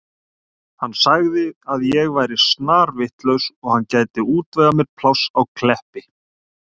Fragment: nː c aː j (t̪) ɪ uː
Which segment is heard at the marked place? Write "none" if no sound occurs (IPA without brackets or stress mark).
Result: t̪